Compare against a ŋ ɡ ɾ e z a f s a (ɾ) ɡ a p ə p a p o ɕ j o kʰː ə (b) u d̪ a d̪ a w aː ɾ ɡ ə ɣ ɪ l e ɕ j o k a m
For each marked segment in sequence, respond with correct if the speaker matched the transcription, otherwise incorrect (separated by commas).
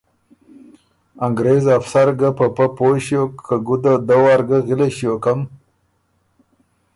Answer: correct, incorrect